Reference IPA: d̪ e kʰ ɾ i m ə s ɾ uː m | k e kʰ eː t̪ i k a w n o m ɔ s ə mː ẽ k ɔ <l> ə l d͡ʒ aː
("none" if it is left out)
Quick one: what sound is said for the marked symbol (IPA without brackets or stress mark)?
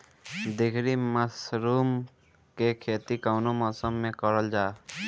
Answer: ɾ